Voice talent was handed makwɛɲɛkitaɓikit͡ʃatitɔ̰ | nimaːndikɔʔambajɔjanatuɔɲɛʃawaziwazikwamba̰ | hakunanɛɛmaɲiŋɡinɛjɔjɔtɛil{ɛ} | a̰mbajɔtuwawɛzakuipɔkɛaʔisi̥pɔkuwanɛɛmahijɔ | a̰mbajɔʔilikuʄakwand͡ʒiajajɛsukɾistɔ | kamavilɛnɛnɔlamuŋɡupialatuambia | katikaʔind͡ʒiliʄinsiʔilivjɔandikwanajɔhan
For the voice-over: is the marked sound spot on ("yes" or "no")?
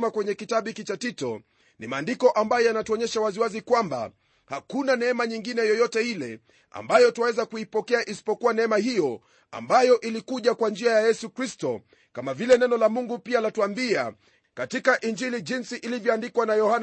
yes